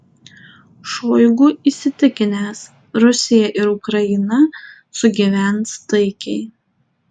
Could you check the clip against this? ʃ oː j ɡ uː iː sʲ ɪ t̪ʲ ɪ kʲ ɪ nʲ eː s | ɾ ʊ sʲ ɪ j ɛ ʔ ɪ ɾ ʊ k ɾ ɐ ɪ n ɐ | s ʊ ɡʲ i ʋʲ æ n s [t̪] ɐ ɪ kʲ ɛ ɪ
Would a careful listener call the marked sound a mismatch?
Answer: no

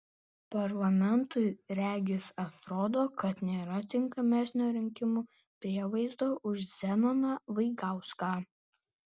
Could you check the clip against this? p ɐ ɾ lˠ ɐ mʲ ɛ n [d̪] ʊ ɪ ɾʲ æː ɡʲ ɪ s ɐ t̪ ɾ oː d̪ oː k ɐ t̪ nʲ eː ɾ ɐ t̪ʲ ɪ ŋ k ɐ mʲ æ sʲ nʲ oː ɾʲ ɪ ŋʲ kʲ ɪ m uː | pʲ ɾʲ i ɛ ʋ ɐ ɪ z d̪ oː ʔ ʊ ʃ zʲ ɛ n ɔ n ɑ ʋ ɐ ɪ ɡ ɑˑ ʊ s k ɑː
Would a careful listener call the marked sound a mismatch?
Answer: yes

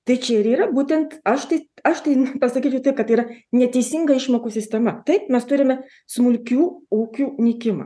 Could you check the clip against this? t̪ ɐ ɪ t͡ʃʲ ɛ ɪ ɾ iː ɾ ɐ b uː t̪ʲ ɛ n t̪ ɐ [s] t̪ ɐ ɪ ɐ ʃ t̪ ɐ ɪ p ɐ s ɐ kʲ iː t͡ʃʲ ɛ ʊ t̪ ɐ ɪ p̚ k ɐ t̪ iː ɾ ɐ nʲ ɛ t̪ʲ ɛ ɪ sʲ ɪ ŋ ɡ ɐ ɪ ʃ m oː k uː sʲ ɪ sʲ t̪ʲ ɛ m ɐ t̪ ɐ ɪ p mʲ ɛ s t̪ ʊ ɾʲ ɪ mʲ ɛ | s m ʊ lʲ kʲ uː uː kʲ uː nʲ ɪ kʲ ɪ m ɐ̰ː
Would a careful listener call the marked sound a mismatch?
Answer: yes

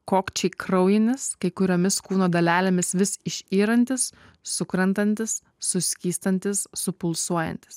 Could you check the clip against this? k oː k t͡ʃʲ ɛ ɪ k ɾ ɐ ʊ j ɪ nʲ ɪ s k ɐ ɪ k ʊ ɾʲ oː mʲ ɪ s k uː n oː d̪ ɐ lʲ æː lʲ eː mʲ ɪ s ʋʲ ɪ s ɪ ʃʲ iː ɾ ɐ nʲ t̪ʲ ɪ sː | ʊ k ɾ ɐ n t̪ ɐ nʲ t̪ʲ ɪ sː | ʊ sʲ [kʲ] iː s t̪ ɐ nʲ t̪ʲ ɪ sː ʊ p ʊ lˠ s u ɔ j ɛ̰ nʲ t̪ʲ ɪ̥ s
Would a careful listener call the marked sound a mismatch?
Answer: no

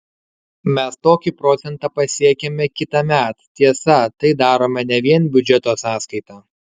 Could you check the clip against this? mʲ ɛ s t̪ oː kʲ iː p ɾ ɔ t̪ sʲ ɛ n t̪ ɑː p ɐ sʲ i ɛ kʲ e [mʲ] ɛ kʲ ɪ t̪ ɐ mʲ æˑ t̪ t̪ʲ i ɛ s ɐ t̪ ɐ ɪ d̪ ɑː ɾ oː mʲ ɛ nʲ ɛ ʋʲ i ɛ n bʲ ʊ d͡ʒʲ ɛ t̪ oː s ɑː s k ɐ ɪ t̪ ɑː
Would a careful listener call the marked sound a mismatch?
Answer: no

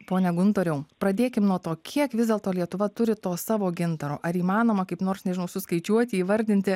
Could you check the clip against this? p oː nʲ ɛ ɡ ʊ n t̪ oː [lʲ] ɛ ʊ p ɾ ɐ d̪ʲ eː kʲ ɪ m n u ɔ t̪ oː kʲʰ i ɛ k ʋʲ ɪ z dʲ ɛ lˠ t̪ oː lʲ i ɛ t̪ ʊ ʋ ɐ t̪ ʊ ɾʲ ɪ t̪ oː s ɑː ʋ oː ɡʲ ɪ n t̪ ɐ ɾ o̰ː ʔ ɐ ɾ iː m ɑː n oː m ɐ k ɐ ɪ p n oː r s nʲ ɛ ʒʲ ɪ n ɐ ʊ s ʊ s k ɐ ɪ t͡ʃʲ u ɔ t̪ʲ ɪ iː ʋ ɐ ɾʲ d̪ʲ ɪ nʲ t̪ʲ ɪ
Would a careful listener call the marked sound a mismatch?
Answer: yes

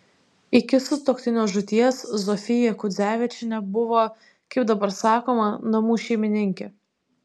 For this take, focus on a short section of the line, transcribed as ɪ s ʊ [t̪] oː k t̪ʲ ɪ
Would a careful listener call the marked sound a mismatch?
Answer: no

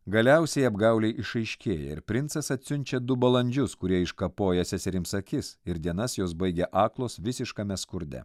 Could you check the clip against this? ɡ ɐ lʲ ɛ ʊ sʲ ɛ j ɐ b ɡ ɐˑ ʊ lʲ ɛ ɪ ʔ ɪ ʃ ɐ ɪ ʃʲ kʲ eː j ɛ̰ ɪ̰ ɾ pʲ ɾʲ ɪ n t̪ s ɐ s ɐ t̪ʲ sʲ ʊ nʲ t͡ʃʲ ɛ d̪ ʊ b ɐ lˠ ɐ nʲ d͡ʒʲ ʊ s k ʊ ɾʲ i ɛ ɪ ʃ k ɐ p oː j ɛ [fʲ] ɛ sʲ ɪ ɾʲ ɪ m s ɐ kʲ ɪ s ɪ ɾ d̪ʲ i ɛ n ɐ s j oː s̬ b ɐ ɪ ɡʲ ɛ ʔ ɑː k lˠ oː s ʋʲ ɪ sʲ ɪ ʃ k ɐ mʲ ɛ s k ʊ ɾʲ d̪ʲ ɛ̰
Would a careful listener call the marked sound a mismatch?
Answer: yes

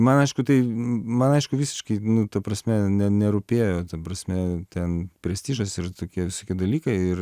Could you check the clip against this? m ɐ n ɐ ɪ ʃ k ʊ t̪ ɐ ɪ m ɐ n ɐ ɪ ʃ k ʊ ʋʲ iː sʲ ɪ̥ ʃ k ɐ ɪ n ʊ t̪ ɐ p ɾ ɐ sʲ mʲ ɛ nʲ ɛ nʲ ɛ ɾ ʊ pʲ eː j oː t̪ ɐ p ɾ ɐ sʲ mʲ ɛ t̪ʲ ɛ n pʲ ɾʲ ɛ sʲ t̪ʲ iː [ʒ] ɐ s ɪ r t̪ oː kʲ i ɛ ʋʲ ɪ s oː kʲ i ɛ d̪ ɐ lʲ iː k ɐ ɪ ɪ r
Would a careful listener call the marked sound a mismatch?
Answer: no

